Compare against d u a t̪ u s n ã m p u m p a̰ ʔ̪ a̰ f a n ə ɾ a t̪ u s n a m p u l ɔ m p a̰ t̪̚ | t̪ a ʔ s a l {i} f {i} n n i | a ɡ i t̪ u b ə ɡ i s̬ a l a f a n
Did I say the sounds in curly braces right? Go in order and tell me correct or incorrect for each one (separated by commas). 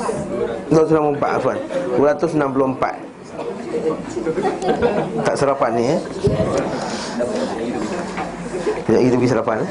incorrect, incorrect